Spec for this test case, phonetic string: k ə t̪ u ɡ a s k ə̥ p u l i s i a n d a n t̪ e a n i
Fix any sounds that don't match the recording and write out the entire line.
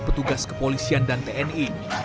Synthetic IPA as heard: p ə t̪ u ɡ a s k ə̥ p o l i s i a n d a n t̪ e ɛ n i